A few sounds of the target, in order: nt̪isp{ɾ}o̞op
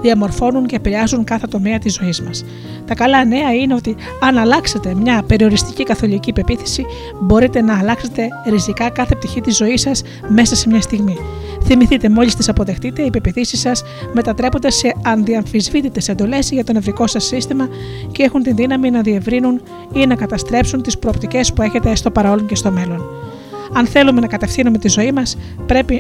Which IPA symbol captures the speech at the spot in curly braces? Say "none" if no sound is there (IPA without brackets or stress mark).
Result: ɾ